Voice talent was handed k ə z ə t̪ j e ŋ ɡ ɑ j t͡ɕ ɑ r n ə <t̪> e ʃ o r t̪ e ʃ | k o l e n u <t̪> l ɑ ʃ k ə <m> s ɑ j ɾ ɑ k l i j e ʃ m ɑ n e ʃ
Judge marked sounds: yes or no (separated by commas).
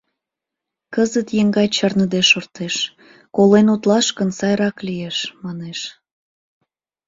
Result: no, yes, no